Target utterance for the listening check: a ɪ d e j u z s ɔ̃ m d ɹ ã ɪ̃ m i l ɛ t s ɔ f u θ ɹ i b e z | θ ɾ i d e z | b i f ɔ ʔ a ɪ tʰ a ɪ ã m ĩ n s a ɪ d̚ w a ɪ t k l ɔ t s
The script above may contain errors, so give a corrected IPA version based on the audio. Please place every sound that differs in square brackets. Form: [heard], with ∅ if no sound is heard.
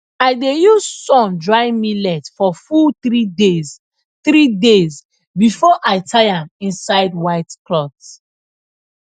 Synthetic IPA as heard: a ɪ d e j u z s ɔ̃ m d ɹ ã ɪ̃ m i l ɛ t [f] ɔ f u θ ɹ i [d] e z | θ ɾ i d e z | b i f ɔ ʔ a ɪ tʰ a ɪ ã m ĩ n s a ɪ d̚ w a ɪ t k l ɔ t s